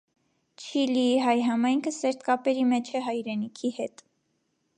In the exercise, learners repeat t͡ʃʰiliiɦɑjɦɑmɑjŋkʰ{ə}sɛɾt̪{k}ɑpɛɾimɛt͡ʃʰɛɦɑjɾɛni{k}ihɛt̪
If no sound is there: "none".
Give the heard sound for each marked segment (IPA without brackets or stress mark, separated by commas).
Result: ə, k, kʰ